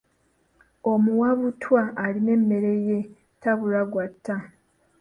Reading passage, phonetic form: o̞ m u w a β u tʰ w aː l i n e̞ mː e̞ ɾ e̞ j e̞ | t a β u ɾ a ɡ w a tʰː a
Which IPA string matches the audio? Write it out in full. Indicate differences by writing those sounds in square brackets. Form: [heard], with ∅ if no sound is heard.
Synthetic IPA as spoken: o̞ m u w a β u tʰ w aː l i n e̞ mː e̞ ɾ e̞ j e̞ | t a β u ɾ a ɡ w a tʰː a